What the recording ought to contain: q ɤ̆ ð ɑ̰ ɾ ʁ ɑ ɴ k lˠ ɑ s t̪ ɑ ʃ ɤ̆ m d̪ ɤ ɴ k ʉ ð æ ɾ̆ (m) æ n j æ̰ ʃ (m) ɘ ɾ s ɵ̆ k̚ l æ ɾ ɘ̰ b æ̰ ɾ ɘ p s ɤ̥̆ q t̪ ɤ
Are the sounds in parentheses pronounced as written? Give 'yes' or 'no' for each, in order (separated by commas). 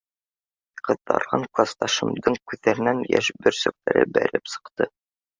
no, no